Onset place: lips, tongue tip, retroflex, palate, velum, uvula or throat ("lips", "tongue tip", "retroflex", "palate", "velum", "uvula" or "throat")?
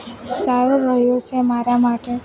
tongue tip